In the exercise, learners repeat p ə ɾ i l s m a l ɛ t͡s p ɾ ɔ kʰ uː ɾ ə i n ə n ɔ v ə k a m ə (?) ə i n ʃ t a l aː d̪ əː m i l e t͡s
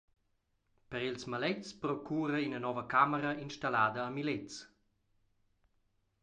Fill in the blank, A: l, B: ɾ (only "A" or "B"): B